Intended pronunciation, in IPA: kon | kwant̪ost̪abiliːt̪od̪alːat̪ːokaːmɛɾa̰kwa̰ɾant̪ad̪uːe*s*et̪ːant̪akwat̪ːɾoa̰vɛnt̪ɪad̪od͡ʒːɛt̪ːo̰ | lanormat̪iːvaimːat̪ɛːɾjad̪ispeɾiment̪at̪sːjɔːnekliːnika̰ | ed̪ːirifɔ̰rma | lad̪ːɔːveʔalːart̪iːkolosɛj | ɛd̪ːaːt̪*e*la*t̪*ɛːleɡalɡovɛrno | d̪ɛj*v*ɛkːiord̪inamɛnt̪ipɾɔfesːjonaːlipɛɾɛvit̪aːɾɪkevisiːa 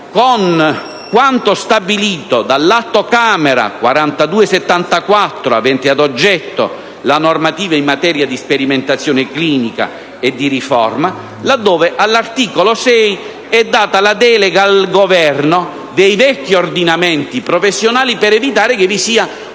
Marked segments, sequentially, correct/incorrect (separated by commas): correct, incorrect, incorrect, correct